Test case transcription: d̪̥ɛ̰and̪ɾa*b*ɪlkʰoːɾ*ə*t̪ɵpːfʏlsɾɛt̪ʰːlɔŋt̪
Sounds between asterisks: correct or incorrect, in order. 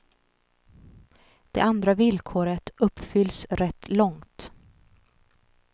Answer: incorrect, correct

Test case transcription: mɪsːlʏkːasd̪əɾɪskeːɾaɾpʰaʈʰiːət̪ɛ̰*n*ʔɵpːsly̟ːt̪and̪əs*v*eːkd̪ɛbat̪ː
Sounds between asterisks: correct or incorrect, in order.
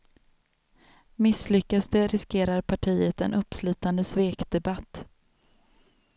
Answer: correct, correct

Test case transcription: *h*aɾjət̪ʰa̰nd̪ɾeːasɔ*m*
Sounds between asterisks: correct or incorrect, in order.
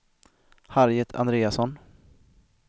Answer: correct, incorrect

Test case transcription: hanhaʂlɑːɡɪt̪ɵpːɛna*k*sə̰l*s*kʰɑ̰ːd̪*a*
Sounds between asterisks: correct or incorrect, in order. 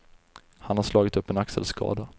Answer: correct, correct, correct

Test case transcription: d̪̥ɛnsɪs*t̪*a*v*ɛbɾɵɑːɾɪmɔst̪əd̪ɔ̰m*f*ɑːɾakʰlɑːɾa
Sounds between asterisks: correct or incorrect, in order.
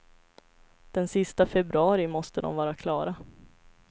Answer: correct, incorrect, incorrect

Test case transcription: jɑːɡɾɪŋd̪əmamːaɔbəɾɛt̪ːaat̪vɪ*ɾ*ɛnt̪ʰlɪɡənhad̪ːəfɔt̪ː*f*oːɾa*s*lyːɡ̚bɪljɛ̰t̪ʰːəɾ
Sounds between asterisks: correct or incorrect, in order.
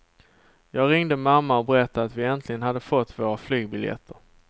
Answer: incorrect, incorrect, incorrect

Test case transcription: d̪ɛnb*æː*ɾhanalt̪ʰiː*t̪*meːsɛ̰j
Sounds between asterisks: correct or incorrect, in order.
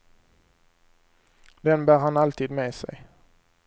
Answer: correct, incorrect

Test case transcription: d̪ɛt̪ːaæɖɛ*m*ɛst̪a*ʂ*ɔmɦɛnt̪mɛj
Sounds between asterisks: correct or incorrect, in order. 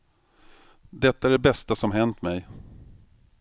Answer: incorrect, incorrect

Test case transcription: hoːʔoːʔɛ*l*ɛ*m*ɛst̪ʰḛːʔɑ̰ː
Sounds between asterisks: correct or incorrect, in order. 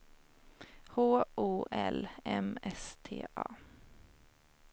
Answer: correct, correct

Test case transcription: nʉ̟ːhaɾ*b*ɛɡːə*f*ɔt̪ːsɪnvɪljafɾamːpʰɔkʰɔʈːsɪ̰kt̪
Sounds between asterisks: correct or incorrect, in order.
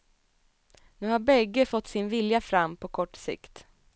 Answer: correct, correct

